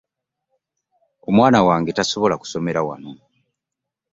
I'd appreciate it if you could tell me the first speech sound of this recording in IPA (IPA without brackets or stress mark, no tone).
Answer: o